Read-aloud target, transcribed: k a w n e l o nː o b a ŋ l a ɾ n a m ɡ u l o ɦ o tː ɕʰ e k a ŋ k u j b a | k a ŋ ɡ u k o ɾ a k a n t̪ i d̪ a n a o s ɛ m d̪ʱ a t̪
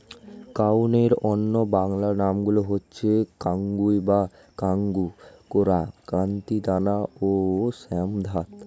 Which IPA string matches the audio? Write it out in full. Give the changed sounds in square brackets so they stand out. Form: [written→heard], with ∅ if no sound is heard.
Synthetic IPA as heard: k a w n e [l→ɾ] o nː o b a ŋ l a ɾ n a m ɡ u l o ɦ o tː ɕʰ e k a ŋ [k→ɡ] u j b a | k a ŋ ɡ u k o ɾ a k a n t̪ i d̪ a n a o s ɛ m d̪ʱ a t̪